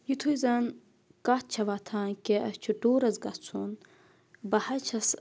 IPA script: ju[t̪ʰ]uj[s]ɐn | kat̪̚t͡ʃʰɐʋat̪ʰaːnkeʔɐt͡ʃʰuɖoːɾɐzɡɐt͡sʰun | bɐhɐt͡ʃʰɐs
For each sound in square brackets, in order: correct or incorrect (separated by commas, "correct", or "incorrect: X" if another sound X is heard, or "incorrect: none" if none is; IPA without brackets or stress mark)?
correct, incorrect: z